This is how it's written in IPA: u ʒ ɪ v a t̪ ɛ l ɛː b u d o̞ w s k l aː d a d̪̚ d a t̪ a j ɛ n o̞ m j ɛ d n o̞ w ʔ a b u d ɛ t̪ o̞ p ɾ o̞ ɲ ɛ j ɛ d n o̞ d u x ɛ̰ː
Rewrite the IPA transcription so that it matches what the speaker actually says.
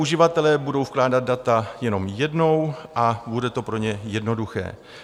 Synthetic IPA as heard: u ʒ ɪ v a t̪ ɛ l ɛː b u d o̞ w f k l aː d a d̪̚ d a t̪ a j ɛ n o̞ m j ɛ d n o̞ w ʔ a b u d ɛ t̪ o̞ p ɾ o̞ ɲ ɛ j ɛ d n o̞ d u x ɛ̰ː